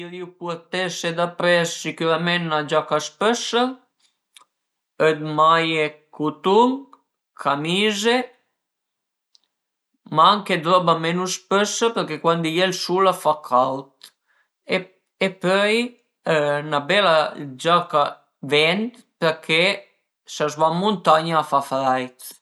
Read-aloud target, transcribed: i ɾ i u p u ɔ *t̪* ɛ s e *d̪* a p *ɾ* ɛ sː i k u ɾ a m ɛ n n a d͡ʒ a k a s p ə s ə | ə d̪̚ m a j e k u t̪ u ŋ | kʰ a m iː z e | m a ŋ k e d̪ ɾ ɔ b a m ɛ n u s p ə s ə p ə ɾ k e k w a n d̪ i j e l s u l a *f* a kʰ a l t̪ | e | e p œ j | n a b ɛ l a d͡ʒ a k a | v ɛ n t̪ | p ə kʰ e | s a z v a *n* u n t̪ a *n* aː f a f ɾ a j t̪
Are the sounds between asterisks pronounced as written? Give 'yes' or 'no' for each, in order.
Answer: yes, yes, yes, yes, no, no

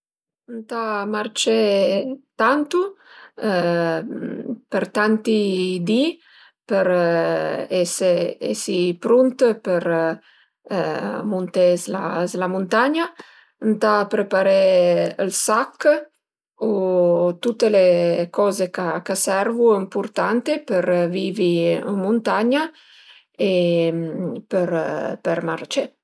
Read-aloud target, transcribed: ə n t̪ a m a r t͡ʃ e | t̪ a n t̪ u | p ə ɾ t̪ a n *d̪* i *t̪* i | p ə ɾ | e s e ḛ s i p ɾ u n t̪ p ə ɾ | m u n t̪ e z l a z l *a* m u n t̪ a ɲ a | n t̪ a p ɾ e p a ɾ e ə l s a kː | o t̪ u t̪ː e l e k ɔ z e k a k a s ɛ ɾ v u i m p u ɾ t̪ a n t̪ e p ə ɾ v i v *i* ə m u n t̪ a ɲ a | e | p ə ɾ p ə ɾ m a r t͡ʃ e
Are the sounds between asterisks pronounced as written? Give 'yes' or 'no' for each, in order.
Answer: no, no, yes, yes

